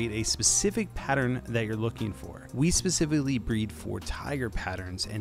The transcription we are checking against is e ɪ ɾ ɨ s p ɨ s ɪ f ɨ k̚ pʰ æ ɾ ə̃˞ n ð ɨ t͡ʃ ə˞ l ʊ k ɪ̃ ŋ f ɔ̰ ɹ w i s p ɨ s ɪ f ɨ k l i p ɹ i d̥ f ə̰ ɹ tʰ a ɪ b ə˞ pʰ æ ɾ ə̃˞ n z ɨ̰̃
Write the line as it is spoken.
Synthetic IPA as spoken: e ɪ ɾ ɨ s p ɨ s ɪ f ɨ k̚ pʰ æ ɾ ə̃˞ n ð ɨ t͡ʃ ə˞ l ʊ k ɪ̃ ŋ f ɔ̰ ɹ w i s p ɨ s ɪ f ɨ k l i b ɹ i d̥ f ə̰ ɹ tʰ a ɪ ɡ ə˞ pʰ æ ɾ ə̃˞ n z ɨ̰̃